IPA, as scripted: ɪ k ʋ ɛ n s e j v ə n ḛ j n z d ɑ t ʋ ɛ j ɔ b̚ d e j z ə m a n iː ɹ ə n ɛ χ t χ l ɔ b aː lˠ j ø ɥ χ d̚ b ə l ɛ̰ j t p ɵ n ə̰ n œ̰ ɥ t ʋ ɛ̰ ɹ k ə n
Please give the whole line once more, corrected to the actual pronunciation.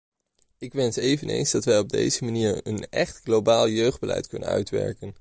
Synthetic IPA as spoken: ɪ k ʋ ɛ n s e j v ə n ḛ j n z d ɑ t ʋ ɛ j ɔ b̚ d e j z ə m a n iː ɹ ə n ɛ χ t χ l o b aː lˠ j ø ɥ χ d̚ b ə l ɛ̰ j t k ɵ n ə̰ n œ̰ ɥ t ʋ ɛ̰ ɹ k ə n